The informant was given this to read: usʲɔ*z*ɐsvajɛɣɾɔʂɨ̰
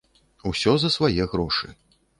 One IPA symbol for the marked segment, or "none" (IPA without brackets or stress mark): z